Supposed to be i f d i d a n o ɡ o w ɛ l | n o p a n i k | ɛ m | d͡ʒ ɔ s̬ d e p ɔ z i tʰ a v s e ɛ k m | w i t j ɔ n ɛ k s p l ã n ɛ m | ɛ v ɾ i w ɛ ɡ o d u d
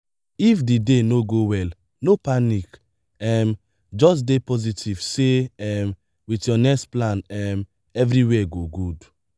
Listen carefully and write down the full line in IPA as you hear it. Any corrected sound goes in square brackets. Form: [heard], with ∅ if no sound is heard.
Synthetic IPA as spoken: i f d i d [e] n o ɡ o w ɛ l | n o p a n i k | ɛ m | d͡ʒ ɔ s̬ d e p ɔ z i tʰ [i] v s e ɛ [∅] m | w i t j ɔ n ɛ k s p l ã n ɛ m | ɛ v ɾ i w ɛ ɡ o [ɡ] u d